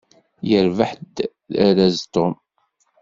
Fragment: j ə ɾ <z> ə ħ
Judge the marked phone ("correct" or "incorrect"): incorrect